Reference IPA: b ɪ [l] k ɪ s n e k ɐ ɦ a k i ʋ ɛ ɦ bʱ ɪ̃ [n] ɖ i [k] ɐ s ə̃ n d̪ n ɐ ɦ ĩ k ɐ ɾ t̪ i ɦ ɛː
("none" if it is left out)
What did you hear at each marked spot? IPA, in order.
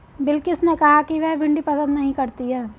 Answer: l, ɳ, p

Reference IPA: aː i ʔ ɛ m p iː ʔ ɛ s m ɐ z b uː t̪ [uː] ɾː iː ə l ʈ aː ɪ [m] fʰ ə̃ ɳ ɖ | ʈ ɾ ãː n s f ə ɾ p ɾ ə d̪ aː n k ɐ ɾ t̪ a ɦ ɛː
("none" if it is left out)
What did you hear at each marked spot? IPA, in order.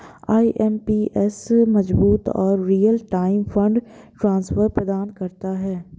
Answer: ɔː, m

